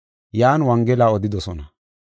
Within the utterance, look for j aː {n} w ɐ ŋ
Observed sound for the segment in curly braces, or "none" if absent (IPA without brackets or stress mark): n